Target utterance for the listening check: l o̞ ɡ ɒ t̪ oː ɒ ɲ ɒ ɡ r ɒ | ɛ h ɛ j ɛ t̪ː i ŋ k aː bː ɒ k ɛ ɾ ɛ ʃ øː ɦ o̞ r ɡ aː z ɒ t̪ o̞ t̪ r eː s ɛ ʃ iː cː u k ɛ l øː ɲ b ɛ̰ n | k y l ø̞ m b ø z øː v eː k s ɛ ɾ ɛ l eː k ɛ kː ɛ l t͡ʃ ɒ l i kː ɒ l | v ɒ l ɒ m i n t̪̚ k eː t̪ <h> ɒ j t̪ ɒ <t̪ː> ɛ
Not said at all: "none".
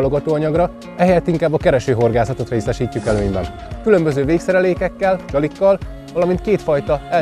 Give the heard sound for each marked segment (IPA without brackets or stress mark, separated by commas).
f, none